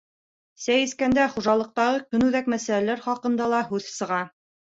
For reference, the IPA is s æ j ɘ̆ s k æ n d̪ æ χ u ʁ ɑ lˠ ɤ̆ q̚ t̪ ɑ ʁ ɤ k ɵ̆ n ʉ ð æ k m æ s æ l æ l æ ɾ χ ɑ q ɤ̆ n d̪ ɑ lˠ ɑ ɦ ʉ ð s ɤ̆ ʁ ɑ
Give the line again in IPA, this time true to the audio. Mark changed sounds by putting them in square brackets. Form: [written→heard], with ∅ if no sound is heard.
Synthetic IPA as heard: s æ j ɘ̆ s k æ n d̪ æ χ u [ʁ→ʒ] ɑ lˠ ɤ̆ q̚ t̪ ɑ ʁ ɤ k ɵ̆ n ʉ ð æ k m æ s æ l æ l æ ɾ χ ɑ q ɤ̆ n d̪ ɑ lˠ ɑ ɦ ʉ ð s ɤ̆ ʁ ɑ